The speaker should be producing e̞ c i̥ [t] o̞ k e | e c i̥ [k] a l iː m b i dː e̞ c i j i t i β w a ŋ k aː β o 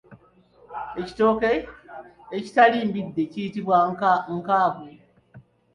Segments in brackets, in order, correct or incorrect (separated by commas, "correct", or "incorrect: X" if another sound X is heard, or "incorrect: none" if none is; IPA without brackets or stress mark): correct, incorrect: t